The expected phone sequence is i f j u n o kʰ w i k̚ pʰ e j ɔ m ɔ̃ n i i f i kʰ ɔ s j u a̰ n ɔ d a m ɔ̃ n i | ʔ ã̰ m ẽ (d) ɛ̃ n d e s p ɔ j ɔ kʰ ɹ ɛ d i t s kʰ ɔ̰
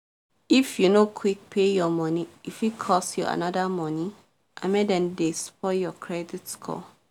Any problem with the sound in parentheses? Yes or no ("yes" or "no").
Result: no